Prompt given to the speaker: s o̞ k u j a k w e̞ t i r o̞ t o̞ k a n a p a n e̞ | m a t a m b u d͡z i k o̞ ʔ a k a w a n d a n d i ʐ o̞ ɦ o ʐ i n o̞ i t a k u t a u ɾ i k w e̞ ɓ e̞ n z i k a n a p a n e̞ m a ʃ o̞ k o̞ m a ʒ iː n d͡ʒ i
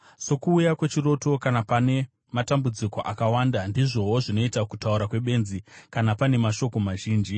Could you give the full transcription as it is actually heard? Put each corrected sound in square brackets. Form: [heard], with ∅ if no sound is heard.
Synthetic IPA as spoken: s o̞ k [uː] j a k w e̞ [t͡ʃ] i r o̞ t o̞ k a n a p a n e̞ | m a t a m b u d͡z i k o̞ ʔ a k a w a n d a n d i ʐ o̞ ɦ o ʐ i n o̞ i t a k u t a u ɾ [a] k w e̞ ɓ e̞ n z i k a n a p a n e̞ m a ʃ o̞ k o̞ m a ʒ iː n d͡ʒ i